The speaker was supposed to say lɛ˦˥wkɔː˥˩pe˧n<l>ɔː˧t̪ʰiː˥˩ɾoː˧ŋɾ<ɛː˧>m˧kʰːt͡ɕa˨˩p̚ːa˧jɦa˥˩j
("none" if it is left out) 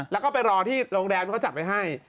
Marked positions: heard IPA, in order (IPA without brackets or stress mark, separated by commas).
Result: ɾ, ɛː˧